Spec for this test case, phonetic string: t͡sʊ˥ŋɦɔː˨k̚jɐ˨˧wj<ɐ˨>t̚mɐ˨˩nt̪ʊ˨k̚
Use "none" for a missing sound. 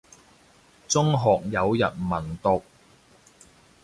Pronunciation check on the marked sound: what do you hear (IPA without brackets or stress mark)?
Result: ɐ˨